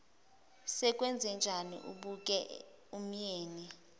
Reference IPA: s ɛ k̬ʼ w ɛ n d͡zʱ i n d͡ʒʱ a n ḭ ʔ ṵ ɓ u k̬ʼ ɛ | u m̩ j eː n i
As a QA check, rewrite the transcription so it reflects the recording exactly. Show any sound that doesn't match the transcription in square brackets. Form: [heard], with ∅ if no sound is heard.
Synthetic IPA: s ɛ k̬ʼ w ɛ n d͡zʱ [ɛ] n d͡ʒʱ a n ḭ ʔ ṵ ɓ u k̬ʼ ɛ | u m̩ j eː n i